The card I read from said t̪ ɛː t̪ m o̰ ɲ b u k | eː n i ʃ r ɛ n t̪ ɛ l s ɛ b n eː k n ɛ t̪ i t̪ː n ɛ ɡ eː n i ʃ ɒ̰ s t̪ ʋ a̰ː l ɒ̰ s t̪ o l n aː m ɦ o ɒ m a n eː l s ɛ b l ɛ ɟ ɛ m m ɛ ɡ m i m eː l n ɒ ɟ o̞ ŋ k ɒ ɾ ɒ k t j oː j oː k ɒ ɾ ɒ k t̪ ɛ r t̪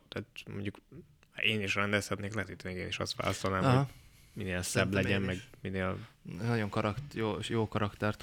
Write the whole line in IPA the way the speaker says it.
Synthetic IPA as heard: t̪ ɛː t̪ m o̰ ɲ ɟ u k | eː n i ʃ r ɛ n d̪ ɛ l s ɛ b n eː k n ɛ t̪ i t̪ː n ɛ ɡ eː n i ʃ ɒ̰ s t̪ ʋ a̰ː l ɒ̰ s t̪ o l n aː m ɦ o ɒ m i n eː l s ɛ b l ɛ ɟ ɛ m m ɛ ɡ m i n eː l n ɒ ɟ o̞ ŋ k ɒ ɾ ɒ k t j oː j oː k ɒ ɾ ɒ k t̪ ɛ r t̪